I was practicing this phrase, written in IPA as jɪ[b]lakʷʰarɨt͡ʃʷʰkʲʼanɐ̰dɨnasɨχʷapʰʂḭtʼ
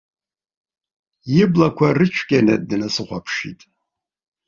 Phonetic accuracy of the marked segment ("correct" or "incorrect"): correct